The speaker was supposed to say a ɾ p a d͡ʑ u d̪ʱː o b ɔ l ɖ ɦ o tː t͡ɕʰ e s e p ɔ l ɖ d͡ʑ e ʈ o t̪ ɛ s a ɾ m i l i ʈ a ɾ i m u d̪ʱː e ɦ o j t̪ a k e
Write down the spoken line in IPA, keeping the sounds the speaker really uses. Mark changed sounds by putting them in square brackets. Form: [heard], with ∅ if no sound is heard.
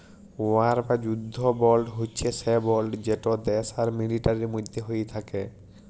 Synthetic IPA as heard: a ɾ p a d͡ʑ u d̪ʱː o b ɔ l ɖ ɦ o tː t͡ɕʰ e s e [b] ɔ l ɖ d͡ʑ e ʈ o [d̪] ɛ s a ɾ m i l i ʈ a ɾ i m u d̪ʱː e ɦ o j [t̪ʰ] a k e